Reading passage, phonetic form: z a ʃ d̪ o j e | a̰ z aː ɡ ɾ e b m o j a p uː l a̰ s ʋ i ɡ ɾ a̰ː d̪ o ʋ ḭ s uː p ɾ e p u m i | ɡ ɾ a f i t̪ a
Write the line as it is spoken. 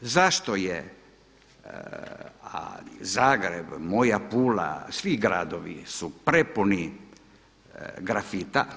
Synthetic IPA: z a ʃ t̪ o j e | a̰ z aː ɡ ɾ e b m o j a p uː l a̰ s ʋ i ɡ ɾ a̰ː d̪ o ʋ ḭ s u p ɾ e p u n i | ɡ ɾ a f i t̪ a